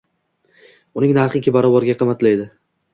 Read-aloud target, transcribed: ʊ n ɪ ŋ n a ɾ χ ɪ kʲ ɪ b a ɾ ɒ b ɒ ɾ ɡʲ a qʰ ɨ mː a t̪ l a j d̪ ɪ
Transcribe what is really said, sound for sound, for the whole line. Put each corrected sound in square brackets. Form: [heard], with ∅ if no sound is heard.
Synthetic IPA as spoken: ʊ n ɪ ŋ n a ɾ χ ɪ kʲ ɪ b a ɾ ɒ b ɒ ɾ ɡʲ a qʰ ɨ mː a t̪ l a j d̪ ɪ